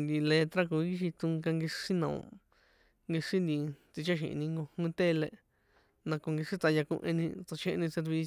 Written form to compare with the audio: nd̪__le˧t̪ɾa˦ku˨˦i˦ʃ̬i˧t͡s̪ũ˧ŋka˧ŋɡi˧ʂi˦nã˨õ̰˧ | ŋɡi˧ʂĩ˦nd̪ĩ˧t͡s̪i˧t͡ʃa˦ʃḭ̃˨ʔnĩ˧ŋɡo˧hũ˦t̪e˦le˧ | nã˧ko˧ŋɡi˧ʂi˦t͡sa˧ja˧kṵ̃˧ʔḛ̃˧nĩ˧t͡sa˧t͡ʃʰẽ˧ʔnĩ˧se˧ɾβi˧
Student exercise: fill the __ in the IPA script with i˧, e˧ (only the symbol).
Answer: i˧